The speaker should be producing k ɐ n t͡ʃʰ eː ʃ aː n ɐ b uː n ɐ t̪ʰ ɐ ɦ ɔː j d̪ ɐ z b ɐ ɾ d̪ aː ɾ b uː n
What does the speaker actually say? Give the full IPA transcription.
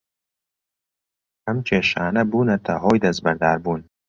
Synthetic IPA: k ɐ m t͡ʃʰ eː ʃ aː n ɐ b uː n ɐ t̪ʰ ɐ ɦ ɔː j d̪ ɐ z b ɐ ɾ d̪ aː ɾ b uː n